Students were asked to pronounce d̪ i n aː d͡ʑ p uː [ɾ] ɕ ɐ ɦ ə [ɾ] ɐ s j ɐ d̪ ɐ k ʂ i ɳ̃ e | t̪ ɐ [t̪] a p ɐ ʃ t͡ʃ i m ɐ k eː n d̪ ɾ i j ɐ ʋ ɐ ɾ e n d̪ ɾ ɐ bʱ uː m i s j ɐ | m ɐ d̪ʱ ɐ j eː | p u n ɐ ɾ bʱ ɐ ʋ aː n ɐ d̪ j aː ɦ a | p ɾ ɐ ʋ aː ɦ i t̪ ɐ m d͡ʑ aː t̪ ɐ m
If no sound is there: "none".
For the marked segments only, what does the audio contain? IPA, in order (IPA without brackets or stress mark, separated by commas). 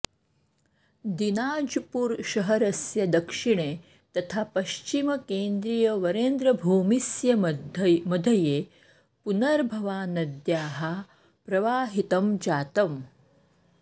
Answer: ɾ, ɾ, t̪ʰ